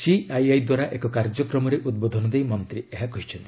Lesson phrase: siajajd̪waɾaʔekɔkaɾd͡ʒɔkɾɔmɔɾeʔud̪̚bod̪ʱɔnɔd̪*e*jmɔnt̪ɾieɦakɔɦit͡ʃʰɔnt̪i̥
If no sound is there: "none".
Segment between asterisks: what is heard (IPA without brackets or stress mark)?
e